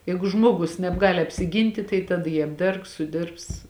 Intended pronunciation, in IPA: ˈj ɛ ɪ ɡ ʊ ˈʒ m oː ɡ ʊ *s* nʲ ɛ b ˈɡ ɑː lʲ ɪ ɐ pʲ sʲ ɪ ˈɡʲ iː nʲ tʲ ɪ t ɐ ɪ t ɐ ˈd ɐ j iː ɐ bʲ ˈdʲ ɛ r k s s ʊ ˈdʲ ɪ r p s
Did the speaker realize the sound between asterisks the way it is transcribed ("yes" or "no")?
yes